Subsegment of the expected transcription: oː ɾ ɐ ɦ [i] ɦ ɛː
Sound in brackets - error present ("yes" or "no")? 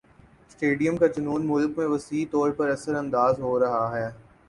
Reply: yes